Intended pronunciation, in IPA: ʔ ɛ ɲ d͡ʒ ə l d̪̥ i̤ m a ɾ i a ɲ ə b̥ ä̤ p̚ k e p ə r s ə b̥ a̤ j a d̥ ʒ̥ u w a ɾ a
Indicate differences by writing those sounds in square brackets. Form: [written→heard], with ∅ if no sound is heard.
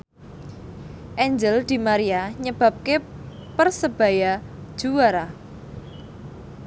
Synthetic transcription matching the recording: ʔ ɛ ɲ d͡ʒ ə l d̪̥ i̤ m a ɾ i a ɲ ə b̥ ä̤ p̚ k e p ə r s ə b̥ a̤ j a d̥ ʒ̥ u w a ɾ a